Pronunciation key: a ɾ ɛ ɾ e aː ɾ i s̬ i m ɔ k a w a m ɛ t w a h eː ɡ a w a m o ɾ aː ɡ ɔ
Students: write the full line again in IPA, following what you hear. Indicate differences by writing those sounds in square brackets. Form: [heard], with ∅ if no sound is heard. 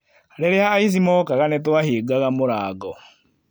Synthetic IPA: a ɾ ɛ ɾ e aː [∅] i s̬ i m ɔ k a [ɣ] a [n] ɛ t w a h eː ɡ a [ɣ] a m o ɾ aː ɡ ɔ